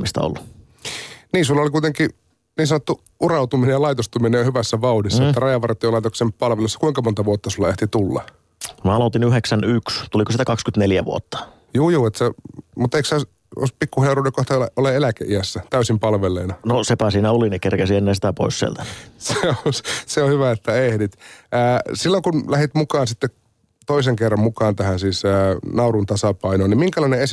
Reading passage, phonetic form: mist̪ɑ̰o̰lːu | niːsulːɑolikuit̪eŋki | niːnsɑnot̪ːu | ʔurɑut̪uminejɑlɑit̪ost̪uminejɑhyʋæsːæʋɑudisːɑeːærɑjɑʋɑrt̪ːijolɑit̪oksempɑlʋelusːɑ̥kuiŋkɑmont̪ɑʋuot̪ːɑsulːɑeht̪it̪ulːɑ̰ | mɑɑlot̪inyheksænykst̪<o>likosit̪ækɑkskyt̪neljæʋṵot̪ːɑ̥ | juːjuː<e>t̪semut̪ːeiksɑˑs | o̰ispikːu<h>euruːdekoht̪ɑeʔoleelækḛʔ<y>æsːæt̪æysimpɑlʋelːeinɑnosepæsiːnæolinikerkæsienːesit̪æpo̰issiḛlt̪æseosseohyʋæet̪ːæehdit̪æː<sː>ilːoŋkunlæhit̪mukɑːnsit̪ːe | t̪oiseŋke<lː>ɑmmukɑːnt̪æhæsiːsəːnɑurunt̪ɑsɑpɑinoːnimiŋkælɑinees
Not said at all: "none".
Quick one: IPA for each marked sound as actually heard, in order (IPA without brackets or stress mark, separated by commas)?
u, e, h, i, s, rː